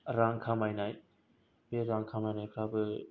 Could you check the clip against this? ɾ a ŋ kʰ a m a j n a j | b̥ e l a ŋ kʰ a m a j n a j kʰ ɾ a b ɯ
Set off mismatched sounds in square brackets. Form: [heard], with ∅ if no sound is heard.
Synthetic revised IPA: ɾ a ŋ kʰ a m a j n a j | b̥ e [ɾ] a ŋ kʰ a m a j n a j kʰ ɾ a b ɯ

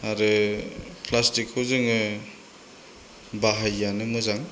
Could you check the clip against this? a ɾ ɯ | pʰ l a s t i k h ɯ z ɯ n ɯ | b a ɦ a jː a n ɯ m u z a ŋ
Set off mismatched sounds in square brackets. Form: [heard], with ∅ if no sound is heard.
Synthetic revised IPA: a ɾ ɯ | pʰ l a s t i k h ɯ z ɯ [ŋ] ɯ | b a ɦ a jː a n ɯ m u z a ŋ

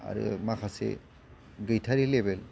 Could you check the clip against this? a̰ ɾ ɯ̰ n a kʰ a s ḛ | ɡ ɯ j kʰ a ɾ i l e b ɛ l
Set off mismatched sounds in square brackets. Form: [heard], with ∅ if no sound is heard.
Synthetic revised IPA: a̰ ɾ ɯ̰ [m] a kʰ a s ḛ | ɡ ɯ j [tʰ] a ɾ i l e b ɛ l

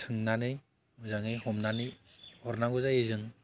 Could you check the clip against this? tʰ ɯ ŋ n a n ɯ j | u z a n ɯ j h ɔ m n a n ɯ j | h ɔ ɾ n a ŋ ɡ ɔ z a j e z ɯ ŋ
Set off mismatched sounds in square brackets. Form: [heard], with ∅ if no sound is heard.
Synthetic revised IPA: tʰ ɯ ŋ n a n ɯ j | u z a [ŋ] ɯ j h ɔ m n a n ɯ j | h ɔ ɾ n a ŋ ɡ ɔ z a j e z ɯ ŋ

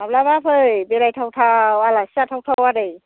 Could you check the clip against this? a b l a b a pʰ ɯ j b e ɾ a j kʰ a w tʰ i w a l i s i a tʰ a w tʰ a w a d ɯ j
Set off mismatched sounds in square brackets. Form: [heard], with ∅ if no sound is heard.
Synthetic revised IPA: a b l a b a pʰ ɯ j b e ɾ a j [tʰ] a w tʰ [a] w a l [a] s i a tʰ a w tʰ a w a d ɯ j

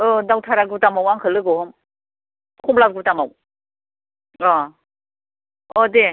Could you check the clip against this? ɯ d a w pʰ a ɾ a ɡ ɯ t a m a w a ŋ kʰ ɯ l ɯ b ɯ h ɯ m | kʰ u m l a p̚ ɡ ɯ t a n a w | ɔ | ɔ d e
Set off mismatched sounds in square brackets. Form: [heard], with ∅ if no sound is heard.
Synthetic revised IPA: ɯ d a w [tʰ] a ɾ a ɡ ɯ t a m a w a ŋ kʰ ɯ l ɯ [ɡ] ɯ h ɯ m | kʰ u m l a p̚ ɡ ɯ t a [m] a w | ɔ | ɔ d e

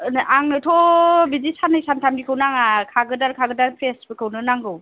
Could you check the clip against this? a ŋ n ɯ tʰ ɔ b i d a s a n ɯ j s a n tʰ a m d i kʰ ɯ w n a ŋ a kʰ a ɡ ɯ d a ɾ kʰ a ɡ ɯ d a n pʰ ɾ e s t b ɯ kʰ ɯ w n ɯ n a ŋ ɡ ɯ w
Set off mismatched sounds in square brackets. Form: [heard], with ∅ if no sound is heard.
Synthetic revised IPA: a ŋ n ɯ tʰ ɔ b i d [i] s a n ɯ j s a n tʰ a m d i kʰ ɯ w n a ŋ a kʰ a ɡ ɯ d a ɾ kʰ a ɡ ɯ d a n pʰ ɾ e s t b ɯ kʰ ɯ w n ɯ n a ŋ ɡ ɯ w

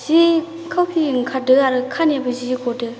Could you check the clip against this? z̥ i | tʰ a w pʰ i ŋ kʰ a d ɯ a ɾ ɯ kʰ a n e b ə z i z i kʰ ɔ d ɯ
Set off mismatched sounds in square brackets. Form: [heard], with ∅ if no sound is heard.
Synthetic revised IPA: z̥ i | [kʰ] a w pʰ i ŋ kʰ a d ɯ a ɾ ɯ kʰ a n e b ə z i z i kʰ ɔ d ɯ

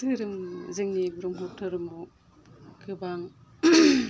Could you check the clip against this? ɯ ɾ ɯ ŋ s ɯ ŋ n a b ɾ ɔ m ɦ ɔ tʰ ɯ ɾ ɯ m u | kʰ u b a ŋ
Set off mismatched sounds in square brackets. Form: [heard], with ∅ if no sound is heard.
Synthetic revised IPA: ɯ ɾ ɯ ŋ [z] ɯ ŋ n [i] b ɾ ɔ [ŋ] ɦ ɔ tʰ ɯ ɾ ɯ m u | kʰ [ɯ] b a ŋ

